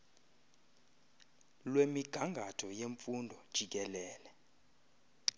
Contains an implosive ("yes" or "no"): no